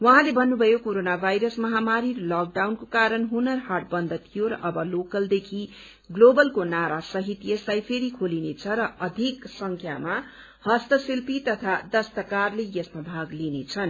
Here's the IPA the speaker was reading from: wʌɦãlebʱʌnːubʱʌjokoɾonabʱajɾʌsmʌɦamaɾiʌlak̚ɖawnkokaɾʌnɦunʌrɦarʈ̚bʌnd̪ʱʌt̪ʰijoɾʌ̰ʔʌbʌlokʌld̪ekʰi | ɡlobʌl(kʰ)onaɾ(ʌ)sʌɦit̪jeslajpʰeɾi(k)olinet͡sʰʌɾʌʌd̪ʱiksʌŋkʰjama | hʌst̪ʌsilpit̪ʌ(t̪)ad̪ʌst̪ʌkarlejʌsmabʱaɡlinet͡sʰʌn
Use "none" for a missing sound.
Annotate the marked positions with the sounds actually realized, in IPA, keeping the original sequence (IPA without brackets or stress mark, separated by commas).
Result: k, a, kʰ, t̪ʰ